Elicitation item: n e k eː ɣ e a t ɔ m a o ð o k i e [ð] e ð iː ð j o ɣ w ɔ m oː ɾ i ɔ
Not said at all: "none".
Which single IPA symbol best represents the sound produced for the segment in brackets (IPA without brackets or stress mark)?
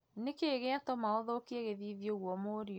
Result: ɣ